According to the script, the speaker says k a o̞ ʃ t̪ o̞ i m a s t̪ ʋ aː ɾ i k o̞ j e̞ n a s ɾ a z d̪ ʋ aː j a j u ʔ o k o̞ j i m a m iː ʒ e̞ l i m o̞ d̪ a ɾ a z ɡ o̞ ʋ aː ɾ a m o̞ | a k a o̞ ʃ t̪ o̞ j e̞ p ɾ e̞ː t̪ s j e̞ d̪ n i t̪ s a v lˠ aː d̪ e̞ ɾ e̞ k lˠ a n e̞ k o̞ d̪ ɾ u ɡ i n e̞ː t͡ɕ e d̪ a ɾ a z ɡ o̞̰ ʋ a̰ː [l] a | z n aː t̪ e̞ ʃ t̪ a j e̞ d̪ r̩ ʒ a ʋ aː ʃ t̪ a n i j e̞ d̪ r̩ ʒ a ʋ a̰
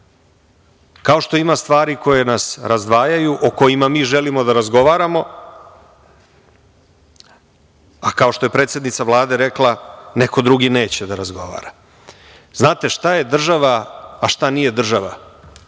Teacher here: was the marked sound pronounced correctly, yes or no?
no